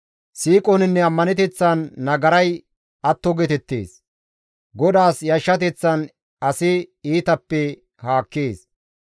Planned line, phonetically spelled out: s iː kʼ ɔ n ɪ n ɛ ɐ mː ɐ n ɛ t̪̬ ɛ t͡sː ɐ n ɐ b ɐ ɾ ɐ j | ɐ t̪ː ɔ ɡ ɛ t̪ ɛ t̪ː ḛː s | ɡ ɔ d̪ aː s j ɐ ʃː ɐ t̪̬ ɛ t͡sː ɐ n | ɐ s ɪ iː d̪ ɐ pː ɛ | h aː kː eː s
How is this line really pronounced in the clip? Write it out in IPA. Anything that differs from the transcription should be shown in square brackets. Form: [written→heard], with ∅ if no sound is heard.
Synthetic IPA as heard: s iː kʼ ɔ n ɪ [n→nː] ɛ ɐ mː ɐ n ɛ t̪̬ ɛ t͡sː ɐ [n→nː] ɐ [b→ɡ] ɐ ɾ ɐ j | ɐ t̪ː ɔ ɡ ɛ t̪ ɛ t̪ː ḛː s | ɡ ɔ d̪ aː s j ɐ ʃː ɐ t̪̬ ɛ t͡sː ɐ n | ɐ s ɪ iː [d̪→t̪] ɐ pː ɛ | h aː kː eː s